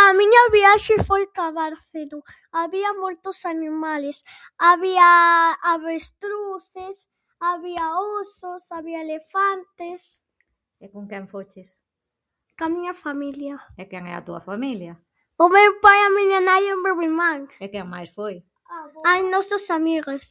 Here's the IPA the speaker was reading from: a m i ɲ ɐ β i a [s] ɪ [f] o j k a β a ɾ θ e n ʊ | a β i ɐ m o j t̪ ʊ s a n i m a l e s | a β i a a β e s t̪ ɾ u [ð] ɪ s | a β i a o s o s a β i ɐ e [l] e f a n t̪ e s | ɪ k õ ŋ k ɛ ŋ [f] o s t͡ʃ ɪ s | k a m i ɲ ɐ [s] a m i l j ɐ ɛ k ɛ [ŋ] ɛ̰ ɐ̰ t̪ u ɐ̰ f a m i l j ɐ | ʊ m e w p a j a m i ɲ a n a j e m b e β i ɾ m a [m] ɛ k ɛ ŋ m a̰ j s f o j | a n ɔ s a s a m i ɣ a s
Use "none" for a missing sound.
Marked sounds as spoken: ʃ, f, θ, l, f, f, ŋ, ŋ

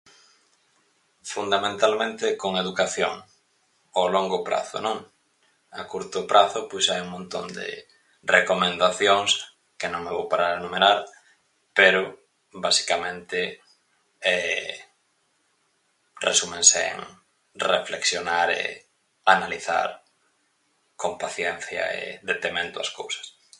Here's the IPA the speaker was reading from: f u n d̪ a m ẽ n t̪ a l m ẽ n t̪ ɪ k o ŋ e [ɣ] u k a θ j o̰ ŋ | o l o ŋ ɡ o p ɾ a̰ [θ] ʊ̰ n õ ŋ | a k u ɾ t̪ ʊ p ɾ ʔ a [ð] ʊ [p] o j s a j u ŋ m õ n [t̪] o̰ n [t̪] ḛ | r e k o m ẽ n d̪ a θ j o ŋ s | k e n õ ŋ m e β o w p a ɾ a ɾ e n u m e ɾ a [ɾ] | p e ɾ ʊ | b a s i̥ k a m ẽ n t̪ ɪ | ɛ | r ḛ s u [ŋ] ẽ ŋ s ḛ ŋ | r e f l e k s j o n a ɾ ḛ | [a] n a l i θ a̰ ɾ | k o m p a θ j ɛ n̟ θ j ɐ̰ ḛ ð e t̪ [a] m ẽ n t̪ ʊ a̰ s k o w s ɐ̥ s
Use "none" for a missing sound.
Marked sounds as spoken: ð, θ, θ, p, t̪, d̪, ɾ, m, a, e

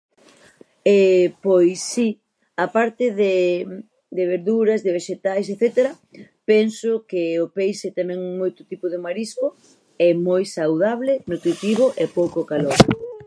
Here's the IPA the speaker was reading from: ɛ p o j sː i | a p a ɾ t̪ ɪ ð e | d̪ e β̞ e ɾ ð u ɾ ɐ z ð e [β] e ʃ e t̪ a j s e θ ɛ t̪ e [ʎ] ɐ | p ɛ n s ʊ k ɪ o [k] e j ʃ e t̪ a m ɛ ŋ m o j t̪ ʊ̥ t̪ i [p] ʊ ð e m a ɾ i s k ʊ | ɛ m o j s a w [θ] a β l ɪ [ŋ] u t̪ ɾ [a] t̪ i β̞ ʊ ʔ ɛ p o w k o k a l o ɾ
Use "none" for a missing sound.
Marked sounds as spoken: β, ɾ, p, p, ð, n, i

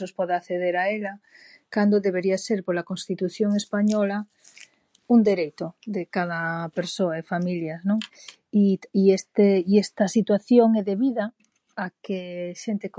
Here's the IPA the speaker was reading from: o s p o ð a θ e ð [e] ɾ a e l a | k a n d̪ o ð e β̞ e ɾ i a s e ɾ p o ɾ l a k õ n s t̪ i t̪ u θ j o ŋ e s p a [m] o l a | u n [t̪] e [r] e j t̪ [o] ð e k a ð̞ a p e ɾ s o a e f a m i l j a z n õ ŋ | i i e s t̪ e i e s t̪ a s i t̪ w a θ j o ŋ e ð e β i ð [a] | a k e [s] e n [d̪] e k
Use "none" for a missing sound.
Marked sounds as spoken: e, ɲ, d̪, ɾ, o, a, ʃ, t̪

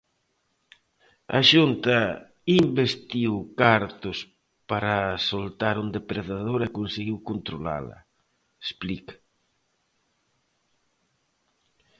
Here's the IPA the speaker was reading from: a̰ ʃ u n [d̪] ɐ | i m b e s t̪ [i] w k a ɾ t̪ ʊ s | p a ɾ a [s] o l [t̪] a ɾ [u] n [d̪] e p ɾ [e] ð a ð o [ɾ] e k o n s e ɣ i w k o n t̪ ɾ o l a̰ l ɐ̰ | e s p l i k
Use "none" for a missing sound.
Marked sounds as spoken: t̪, i, s, t̪, u, d̪, e, ɾ

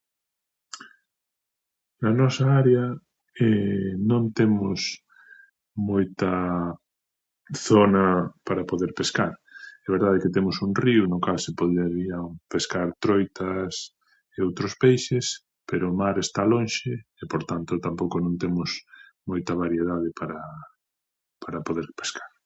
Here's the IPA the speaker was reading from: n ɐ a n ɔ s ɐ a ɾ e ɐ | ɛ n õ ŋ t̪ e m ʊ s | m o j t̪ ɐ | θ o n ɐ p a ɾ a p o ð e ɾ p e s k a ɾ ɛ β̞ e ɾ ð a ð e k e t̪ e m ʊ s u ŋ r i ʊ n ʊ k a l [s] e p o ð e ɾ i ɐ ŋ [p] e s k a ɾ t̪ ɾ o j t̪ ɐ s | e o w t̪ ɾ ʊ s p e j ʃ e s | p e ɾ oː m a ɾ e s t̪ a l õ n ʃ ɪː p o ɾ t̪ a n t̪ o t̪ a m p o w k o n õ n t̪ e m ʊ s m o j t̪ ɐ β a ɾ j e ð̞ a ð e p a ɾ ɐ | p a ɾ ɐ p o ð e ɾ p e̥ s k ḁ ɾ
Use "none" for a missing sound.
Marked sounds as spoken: s, p

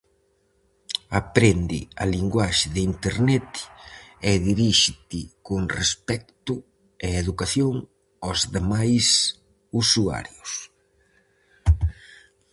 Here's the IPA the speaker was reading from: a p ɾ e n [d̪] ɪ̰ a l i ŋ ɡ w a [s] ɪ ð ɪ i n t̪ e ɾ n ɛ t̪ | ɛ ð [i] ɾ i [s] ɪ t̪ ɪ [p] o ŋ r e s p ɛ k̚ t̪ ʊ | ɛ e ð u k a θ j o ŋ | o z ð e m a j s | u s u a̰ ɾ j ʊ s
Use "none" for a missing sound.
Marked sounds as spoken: d̪, ʃ, i, ʃ, k

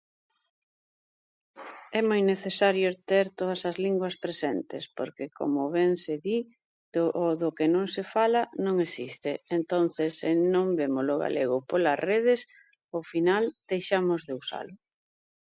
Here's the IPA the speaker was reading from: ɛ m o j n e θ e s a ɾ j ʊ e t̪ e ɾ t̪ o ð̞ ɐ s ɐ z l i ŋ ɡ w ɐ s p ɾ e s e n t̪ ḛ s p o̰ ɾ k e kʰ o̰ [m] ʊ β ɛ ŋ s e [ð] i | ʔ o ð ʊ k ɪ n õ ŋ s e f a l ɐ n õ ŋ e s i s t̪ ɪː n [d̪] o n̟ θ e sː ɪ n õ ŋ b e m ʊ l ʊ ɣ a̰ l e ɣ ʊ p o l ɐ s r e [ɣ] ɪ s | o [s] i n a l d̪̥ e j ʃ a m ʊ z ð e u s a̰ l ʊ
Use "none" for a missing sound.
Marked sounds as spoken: m, ð, t̪, ð, f

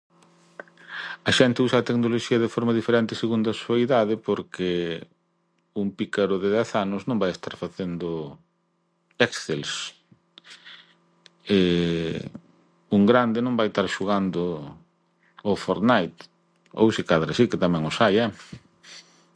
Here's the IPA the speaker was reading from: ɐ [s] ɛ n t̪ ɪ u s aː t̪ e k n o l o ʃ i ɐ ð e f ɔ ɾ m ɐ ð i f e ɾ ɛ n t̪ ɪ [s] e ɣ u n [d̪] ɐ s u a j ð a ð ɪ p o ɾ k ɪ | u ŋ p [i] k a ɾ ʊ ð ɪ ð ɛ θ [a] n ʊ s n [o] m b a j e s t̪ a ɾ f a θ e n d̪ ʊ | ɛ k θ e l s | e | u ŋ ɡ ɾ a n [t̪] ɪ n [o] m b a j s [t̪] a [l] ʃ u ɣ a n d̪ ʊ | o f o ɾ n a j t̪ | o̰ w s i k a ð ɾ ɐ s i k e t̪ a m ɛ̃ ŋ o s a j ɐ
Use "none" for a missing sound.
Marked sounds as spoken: ʃ, s, d̪, i, a, õ, d̪, õ, t̪, ɾ

